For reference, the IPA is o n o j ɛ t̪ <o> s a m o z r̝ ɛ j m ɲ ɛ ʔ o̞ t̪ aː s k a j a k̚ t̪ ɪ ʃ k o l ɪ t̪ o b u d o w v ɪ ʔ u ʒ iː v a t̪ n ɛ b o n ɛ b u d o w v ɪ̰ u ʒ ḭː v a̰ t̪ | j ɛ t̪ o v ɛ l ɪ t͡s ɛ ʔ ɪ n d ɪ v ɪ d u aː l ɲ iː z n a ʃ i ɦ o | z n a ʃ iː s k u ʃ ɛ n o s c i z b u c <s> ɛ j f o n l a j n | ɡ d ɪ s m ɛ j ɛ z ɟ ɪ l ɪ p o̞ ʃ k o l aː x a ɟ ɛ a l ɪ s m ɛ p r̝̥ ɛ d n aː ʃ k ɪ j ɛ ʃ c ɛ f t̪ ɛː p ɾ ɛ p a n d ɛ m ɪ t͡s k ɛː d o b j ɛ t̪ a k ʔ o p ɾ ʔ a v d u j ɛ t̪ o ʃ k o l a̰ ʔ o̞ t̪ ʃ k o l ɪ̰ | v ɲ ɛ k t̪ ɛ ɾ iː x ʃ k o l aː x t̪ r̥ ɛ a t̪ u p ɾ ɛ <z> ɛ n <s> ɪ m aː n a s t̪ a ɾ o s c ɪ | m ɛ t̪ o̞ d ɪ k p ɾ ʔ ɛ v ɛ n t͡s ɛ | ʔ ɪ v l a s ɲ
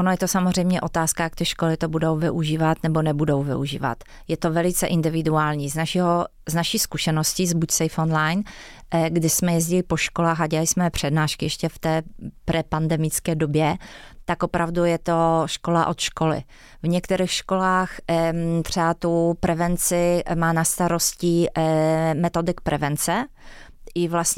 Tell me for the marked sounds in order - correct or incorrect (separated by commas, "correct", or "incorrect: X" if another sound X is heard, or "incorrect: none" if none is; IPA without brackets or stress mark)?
correct, correct, incorrect: v, incorrect: t͡s